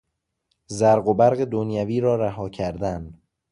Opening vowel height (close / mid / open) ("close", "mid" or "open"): open